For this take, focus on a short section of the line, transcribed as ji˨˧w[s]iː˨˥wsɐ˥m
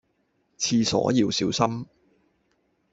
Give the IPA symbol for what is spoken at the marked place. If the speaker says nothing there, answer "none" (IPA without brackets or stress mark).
s